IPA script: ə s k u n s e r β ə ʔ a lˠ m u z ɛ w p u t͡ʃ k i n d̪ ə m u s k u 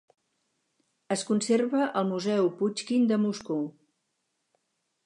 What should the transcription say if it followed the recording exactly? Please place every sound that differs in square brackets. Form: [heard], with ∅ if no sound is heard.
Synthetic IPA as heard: ə s k u n s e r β ə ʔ [ə] lˠ m u z ɛ w p u t͡ʃ k i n d̪ ə m u s k u